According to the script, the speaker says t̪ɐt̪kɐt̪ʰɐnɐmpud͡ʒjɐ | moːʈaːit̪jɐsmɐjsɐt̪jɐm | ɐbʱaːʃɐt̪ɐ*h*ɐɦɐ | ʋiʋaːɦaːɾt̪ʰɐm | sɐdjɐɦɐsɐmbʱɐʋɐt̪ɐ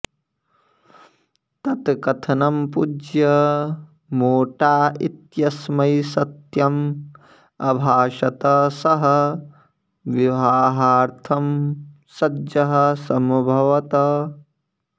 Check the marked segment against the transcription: incorrect: s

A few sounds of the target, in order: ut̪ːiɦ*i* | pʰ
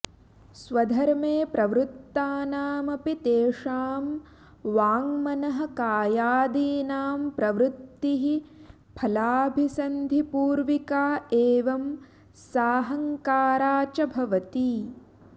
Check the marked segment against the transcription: correct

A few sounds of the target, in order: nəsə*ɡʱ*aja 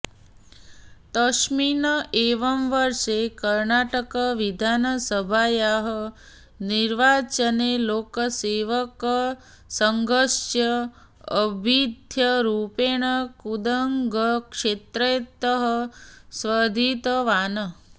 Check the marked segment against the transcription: incorrect: bʱ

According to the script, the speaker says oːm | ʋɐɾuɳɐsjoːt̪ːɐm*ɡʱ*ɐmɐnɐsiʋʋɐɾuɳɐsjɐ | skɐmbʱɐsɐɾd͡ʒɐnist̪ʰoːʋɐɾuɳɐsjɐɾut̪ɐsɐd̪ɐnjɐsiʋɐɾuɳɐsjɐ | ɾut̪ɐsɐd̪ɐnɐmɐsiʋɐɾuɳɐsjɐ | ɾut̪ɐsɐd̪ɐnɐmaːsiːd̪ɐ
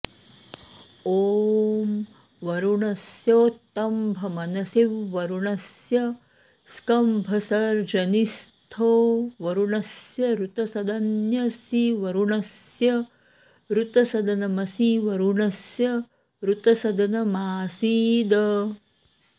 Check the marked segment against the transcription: incorrect: bʱ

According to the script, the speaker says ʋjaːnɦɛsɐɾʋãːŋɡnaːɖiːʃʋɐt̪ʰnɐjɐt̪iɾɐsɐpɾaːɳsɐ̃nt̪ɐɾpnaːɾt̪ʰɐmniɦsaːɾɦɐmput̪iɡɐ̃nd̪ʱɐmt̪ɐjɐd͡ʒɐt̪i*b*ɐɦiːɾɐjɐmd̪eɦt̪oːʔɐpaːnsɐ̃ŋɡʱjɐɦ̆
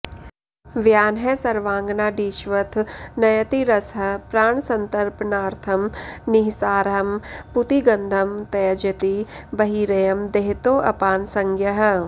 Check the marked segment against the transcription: correct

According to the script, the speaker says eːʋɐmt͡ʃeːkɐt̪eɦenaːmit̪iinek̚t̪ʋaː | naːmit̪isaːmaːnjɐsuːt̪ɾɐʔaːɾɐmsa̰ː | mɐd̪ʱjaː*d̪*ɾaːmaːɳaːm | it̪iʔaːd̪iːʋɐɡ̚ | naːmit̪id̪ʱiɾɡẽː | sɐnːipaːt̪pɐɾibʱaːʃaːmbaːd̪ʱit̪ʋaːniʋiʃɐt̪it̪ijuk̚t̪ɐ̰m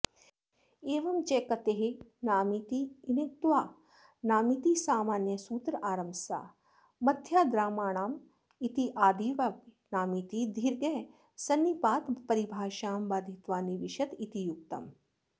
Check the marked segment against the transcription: correct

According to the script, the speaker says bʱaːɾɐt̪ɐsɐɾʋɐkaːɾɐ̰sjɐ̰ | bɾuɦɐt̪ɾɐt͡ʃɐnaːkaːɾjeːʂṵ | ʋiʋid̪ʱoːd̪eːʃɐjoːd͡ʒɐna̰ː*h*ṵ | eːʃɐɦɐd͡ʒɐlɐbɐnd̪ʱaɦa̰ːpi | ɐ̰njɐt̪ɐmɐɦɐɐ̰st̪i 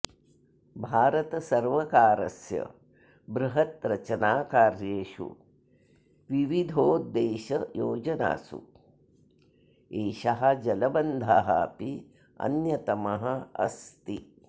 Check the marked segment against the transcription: incorrect: s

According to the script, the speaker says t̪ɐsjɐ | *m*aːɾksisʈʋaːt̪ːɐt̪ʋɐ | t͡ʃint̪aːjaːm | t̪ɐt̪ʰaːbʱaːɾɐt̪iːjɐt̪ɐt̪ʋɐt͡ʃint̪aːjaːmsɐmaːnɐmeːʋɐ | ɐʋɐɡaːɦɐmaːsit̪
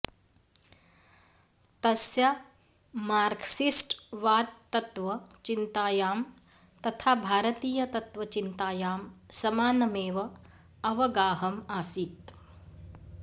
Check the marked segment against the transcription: correct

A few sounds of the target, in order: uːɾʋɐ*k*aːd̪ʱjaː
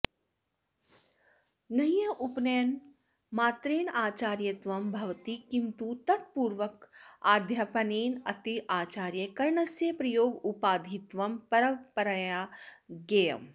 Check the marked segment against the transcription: correct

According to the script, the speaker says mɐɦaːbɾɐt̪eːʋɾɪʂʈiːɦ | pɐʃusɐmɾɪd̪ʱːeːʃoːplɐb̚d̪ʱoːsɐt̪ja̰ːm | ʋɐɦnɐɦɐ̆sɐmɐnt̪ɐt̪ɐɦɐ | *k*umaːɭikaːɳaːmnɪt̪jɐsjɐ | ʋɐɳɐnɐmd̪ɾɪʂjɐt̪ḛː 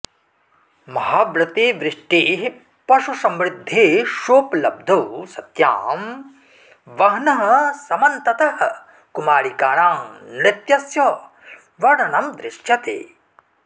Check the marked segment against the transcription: correct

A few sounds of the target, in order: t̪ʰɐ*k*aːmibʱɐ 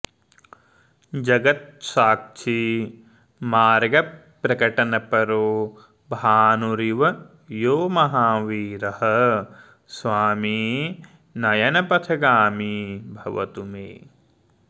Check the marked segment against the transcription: incorrect: ɡ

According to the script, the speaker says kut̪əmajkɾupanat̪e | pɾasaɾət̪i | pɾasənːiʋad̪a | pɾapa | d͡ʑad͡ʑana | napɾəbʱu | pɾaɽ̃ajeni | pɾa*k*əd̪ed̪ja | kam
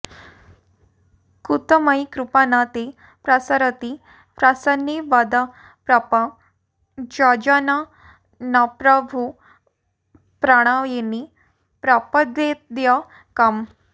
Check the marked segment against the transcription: incorrect: p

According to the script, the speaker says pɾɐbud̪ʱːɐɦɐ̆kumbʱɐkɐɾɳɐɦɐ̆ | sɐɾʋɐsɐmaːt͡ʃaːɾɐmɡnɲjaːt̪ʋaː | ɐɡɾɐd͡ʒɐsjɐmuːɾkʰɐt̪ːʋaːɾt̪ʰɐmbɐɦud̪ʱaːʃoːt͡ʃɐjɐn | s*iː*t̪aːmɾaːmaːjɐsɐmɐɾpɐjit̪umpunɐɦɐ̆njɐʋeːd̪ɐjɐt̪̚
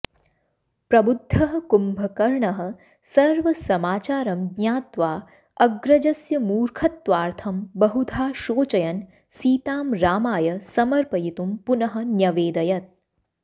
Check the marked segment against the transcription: correct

